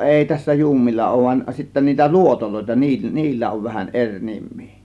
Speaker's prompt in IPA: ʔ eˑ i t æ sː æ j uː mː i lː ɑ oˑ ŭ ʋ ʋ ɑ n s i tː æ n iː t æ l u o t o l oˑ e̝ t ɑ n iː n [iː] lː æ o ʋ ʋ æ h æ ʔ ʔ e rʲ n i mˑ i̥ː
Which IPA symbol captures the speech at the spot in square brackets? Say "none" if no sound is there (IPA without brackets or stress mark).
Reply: iː